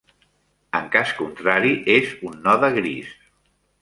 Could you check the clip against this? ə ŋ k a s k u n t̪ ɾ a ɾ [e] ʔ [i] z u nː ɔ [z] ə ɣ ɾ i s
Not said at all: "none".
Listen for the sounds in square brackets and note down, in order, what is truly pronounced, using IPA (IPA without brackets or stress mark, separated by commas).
i, e, ð